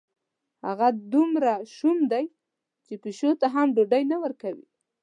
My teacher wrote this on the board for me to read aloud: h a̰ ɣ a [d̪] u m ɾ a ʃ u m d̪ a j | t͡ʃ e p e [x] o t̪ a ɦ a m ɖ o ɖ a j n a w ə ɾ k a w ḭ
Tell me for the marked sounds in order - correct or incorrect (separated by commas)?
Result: correct, incorrect